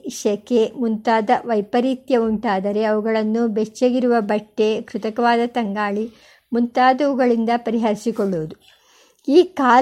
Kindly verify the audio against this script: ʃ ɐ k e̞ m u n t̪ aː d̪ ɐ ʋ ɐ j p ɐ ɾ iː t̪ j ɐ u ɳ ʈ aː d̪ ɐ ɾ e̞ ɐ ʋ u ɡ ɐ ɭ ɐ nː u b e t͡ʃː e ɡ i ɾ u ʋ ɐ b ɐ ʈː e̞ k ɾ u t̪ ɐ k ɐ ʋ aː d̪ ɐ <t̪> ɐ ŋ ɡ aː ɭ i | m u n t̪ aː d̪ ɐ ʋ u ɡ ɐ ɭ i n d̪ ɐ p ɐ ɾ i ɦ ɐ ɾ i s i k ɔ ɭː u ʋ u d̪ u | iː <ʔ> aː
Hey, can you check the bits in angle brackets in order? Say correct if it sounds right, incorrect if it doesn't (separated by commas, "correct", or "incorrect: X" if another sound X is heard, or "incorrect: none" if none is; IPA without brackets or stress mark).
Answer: correct, incorrect: k